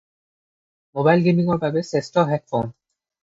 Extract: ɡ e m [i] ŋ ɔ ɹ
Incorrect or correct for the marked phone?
correct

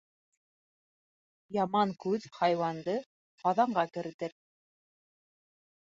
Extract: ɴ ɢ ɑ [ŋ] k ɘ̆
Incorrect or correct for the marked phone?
incorrect: none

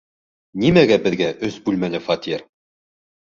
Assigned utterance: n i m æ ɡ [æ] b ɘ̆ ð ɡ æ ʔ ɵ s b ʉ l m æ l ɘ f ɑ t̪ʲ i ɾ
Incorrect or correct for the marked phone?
correct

